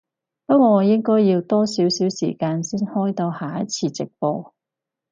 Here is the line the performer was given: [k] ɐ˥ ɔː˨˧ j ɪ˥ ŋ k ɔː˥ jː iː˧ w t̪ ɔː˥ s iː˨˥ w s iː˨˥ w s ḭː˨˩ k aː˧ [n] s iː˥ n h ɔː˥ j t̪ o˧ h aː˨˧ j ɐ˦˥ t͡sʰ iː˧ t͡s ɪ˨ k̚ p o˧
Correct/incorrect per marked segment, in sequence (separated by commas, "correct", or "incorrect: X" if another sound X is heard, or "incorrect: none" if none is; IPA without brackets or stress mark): incorrect: p, correct